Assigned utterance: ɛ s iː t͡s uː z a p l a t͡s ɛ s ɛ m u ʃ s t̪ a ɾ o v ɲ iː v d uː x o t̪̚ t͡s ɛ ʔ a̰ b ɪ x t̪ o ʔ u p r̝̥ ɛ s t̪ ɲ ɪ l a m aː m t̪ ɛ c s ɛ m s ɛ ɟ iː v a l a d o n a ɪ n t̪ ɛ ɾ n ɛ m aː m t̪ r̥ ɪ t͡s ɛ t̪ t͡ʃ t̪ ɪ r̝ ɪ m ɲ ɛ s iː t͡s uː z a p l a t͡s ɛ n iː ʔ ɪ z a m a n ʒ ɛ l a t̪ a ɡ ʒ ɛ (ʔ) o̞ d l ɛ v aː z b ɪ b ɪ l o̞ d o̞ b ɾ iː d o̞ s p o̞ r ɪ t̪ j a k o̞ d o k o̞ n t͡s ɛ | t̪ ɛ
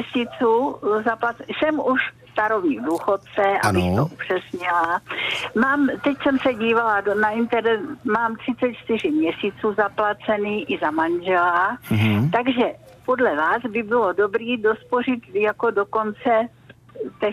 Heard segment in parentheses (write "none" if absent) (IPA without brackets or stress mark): p